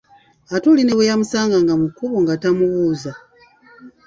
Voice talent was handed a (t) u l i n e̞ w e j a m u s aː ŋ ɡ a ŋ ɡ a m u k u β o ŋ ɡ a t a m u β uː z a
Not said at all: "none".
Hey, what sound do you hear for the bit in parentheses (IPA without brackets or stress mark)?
t